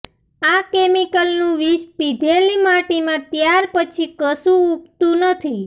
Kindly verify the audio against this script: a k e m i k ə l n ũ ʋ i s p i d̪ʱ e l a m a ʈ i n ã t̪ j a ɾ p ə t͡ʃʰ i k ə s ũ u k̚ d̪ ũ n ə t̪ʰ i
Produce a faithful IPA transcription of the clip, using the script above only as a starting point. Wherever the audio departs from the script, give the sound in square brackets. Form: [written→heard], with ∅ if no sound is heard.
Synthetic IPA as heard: a k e m i k ə l n ũ ʋ i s p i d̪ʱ e l [a→i] m a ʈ i [n→m] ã t̪ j a ɾ p ə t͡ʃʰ i k ə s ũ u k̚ [d̪→t̪] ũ n ə t̪ʰ i